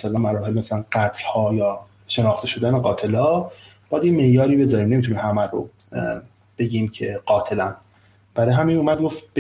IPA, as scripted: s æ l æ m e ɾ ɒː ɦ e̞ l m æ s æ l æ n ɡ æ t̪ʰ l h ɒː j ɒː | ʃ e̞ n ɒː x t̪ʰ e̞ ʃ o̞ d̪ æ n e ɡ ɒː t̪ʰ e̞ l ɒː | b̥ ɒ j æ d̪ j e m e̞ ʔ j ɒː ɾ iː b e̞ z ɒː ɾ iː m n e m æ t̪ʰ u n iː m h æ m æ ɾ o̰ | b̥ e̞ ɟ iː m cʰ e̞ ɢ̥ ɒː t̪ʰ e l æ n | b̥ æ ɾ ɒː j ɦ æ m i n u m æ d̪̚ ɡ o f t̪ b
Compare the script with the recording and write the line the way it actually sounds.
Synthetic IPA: s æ l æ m æ ɾ ɒː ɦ e̞ l m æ s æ l æ n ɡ æ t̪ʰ l h ɒː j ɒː | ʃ e̞ n ɒː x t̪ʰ e̞ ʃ o̞ d̪ æ n e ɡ ɒː t̪ʰ e̞ l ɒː | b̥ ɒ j æ d̪ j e m e̞ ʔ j ɒː ɾ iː b e̞ z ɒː ɾ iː m n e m i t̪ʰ u n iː m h æ m æ ɾ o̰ | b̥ e̞ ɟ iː m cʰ e̞ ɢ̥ ɒː t̪ʰ e l æ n | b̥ æ ɾ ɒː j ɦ æ m i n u m æ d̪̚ ɡ o f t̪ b